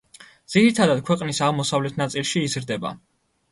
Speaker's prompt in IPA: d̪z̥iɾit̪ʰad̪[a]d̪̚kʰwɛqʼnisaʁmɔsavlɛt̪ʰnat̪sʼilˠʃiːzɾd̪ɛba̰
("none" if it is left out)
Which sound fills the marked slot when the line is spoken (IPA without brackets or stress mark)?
a